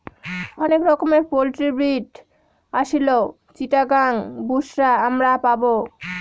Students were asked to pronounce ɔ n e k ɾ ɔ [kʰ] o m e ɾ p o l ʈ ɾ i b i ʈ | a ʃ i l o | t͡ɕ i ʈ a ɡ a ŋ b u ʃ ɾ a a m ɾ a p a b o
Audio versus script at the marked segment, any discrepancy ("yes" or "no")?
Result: yes